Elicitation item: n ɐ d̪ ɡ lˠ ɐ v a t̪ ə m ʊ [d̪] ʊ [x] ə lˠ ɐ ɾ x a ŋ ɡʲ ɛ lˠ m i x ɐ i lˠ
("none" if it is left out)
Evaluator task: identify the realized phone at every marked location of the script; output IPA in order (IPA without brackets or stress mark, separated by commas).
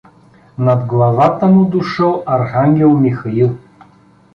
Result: d̪, ʃ